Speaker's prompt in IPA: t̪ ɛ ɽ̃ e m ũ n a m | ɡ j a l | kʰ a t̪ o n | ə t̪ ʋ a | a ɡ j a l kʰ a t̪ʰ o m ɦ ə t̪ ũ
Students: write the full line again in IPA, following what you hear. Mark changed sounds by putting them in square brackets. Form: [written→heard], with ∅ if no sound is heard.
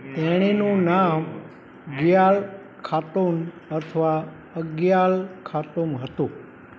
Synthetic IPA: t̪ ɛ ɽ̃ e [m→n] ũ n a m | ɡ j a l | kʰ a t̪ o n | ə [t̪→t̪ʰ] ʋ a | [a→ə] ɡ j a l kʰ a [t̪ʰ→t̪] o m ɦ ə t̪ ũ

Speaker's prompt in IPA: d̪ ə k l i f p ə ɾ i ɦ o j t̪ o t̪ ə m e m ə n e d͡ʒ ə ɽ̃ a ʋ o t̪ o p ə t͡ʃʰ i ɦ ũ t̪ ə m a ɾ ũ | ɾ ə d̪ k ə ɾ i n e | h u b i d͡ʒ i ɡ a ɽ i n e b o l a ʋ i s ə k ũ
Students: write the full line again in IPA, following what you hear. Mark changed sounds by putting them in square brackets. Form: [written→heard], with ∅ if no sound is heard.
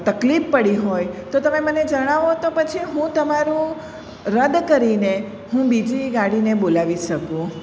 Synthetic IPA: [d̪→t̪] ə k l i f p ə [ɾ→ɽ] i ɦ o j t̪ o t̪ ə m e m ə n e d͡ʒ ə ɽ̃ a ʋ o t̪ o p ə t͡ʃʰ i ɦ ũ t̪ ə m a ɾ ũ | ɾ ə d̪ k ə ɾ i n e | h [u→ũ] b i d͡ʒ i ɡ a ɽ i n e b o l a ʋ i [s→ʃ] ə k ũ

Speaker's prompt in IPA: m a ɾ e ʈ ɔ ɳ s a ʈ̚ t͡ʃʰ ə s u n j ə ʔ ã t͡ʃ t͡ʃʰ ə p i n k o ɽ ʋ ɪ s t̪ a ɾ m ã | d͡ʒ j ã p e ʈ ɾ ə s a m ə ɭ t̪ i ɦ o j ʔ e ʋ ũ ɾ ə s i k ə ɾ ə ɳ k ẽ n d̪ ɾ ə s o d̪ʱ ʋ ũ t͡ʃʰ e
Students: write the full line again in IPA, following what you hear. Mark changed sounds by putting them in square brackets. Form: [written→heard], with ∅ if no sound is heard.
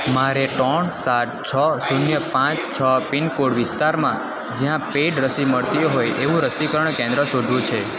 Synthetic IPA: m a ɾ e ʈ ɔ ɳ s a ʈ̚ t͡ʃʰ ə s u n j ə [ʔ→p] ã t͡ʃ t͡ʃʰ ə p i n k o ɽ ʋ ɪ s t̪ a ɾ m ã | d͡ʒ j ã p e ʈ ɾ ə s [a→i] m ə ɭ t̪ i ɦ o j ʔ e ʋ ũ ɾ ə s i k ə ɾ ə ɳ k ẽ n d̪ ɾ ə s o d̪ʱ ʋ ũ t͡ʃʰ e

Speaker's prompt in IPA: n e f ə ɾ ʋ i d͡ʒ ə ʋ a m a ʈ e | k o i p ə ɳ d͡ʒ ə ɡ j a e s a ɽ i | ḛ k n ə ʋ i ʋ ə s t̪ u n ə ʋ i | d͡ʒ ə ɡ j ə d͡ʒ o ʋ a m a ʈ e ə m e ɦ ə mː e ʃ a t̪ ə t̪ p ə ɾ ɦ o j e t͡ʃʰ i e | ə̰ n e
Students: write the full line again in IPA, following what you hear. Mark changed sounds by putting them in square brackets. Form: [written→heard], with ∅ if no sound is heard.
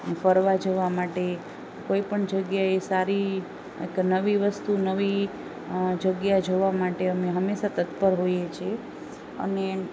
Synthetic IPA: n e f ə ɾ ʋ [i→a] d͡ʒ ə ʋ a m a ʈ e | k o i p ə ɳ d͡ʒ ə ɡ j a e s a [ɽ→ɾ] i | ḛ k n ə ʋ i ʋ ə s t̪ u n ə ʋ i | d͡ʒ ə ɡ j [ə→a] d͡ʒ o ʋ a m a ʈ e ə m e ɦ ə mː e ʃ a t̪ ə t̪ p ə ɾ ɦ o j e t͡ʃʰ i e | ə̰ n e

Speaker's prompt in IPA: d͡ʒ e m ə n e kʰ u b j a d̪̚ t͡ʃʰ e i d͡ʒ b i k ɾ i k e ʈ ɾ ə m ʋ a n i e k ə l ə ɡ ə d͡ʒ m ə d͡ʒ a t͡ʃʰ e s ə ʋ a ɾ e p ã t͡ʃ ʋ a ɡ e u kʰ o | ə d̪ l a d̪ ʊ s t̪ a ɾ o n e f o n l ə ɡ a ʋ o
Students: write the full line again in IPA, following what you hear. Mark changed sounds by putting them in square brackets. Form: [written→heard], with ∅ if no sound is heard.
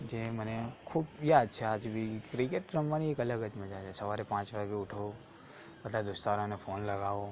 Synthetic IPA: d͡ʒ e m ə n e kʰ u b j a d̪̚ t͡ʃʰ e [i→a] d͡ʒ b i k ɾ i k e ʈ ɾ ə m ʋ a n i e k ə l ə ɡ ə d͡ʒ m ə d͡ʒ a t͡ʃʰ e s ə ʋ a ɾ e p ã t͡ʃ ʋ a ɡ e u [kʰ→ʈʰ] o | ə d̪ l a d̪ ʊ s t̪ a ɾ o n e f o n l ə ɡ a ʋ o

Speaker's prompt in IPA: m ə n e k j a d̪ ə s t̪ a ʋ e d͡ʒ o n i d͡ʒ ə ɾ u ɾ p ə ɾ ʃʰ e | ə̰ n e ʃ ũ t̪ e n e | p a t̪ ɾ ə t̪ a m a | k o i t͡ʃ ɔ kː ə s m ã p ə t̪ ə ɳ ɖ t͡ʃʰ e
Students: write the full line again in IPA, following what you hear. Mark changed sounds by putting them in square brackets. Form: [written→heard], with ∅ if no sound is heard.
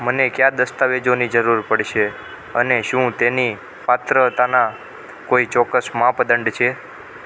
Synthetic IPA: m ə n e k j a d̪ ə s t̪ a ʋ e d͡ʒ o n i d͡ʒ ə ɾ u ɾ p ə [ɾ→ɽ] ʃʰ e | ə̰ n e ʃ ũ t̪ e n [e→i] | p a t̪ ɾ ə t̪ a [m→n] a | k o i t͡ʃ ɔ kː ə s m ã p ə [t̪→d̪] ə ɳ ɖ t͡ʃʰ e

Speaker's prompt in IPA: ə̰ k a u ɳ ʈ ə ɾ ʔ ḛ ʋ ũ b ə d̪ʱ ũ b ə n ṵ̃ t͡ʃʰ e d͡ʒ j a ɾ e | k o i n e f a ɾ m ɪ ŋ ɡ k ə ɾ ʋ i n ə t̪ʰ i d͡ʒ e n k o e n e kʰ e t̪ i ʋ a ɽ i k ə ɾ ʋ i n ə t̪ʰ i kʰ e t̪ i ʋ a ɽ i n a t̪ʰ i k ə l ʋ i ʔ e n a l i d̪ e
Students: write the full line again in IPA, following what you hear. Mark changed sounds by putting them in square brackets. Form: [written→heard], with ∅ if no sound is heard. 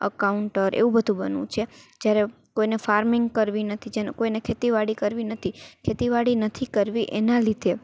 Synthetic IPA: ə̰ k a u ɳ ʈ ə ɾ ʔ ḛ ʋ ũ b ə d̪ʱ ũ b ə n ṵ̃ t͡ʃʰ e d͡ʒ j a ɾ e | k o i n e f a ɾ m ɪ ŋ ɡ k ə ɾ ʋ i n ə t̪ʰ i d͡ʒ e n k o [e→i] n e kʰ e t̪ i ʋ a ɽ i k ə ɾ ʋ i n ə t̪ʰ i kʰ e t̪ i ʋ a ɽ i n [a→ə] t̪ʰ i k ə [l→ɾ] ʋ i ʔ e n a l i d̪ e

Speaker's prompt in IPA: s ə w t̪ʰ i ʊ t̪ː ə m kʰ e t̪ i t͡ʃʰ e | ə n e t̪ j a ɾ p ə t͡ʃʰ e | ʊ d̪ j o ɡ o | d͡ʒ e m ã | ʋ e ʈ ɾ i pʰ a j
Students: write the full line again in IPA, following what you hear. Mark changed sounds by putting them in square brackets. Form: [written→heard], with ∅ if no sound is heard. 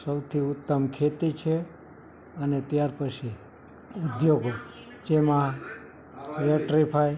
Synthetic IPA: s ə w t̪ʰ i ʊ t̪ː ə m kʰ e t̪ i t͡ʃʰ e | ə n e t̪ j a ɾ p ə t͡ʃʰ [e→i] | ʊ d̪ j o ɡ o | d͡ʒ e m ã | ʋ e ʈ ɾ i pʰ a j

